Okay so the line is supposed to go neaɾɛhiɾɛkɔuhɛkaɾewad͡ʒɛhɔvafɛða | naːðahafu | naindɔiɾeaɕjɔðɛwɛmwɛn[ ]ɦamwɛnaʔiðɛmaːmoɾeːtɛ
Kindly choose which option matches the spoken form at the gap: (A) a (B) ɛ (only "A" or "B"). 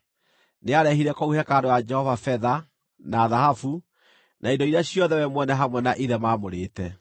B